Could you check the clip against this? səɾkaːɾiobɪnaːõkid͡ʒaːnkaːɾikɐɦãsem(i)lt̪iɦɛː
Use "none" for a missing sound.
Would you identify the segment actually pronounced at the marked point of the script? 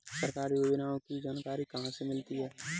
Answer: ɪ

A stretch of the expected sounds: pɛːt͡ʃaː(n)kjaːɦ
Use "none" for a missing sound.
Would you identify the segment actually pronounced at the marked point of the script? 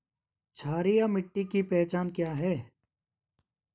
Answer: n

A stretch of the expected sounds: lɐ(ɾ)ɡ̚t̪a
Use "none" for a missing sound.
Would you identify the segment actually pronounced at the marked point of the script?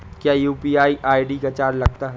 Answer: none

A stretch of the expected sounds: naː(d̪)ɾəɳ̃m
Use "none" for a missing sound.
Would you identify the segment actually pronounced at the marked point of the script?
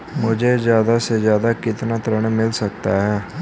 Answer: t̪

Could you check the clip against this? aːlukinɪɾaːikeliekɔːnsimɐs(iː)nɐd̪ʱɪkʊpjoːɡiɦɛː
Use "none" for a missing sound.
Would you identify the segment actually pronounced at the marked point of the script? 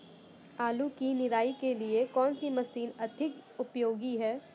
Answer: iː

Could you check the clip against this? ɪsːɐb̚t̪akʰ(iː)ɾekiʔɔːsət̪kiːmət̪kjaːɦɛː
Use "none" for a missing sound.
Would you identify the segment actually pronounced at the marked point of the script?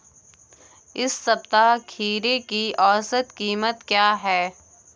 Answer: iː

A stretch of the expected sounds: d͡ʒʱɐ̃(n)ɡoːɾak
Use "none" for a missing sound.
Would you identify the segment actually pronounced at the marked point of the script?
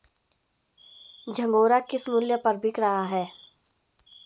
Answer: ŋ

